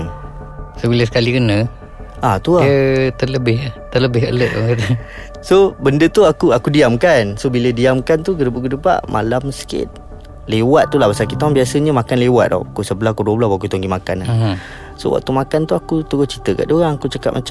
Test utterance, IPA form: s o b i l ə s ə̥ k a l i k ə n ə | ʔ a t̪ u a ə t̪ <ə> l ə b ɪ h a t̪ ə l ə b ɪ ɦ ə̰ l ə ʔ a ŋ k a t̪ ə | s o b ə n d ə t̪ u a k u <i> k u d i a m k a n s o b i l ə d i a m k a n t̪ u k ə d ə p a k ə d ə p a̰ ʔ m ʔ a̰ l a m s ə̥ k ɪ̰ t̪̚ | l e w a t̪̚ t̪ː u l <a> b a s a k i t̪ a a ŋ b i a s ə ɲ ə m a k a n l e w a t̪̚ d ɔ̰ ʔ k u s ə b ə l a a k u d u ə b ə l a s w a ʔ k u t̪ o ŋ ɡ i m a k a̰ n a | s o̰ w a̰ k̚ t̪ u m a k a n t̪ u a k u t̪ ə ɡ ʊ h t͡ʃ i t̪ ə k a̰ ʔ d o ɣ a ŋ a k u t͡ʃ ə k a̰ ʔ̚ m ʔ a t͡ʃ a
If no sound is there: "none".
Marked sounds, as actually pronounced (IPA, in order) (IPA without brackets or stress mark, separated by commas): ə, a, a